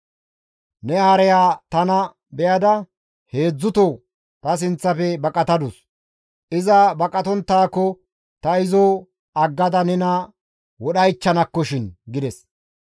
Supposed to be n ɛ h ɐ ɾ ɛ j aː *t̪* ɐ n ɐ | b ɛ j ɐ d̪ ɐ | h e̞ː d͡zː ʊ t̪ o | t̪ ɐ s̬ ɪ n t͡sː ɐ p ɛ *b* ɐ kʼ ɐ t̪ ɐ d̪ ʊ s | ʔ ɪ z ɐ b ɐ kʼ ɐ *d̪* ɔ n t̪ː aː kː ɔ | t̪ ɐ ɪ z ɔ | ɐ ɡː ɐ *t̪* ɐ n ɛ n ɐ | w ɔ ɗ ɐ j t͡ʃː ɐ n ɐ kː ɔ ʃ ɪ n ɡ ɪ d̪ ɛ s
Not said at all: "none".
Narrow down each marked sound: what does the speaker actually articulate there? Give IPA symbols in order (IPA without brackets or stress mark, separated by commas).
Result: t̪, b, t̪, d̪